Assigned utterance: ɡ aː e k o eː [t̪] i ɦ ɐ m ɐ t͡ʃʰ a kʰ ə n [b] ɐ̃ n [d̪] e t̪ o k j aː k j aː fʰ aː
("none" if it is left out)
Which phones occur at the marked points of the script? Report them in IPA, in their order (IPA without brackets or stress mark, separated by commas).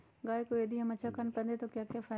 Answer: d̪, p, d̪